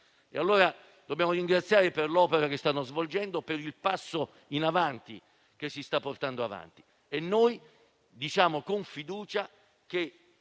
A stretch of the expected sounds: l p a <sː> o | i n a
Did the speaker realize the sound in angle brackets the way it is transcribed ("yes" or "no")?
yes